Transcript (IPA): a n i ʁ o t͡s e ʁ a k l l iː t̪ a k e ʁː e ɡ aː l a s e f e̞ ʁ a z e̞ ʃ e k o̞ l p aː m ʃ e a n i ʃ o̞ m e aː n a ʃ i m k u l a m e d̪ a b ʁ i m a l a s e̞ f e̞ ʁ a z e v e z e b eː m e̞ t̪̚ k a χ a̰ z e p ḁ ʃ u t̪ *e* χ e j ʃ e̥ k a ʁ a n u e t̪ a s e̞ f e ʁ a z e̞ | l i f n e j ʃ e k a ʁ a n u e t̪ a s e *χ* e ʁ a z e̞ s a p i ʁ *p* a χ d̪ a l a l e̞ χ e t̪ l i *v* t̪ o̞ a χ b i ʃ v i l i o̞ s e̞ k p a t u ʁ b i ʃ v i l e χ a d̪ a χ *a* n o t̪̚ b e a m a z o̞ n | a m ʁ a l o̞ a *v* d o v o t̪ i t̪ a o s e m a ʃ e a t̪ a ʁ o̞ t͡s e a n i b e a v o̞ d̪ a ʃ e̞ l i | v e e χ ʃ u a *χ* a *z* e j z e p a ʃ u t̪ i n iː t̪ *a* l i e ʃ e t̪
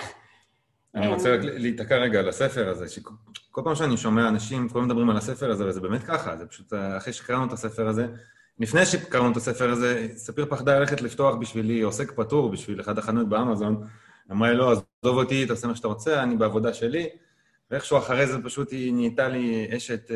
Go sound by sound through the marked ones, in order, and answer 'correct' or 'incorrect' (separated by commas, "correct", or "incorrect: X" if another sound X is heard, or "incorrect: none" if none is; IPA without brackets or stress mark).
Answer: incorrect: a, incorrect: f, correct, incorrect: f, correct, incorrect: z, correct, incorrect: ʁ, correct